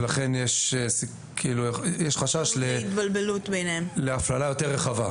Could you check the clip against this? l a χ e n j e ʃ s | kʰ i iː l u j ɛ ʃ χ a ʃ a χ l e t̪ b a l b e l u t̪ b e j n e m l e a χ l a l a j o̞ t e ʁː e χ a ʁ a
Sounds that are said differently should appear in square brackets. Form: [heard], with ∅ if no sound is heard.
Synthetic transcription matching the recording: l a χ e n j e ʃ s | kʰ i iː l u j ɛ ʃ χ a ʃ a [ʃ] l e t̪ b a l b e l u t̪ b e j n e m l e a [f] l a l a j o̞ t e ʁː e χ a [v] a